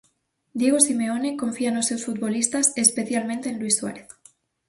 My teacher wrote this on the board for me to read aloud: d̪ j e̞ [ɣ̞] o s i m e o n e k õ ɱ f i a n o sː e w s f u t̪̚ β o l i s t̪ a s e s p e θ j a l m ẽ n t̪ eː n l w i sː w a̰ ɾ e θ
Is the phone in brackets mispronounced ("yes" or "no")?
no